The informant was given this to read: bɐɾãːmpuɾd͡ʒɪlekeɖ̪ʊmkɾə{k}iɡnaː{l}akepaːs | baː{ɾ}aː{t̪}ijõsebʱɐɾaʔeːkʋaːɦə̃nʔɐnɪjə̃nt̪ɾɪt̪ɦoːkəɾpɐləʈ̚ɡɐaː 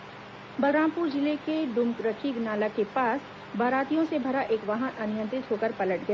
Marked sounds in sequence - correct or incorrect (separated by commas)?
incorrect, correct, correct, correct